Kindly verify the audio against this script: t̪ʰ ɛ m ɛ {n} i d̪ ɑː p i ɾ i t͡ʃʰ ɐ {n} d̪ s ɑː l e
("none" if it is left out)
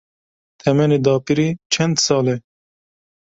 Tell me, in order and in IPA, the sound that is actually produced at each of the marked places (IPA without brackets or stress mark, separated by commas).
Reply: n, n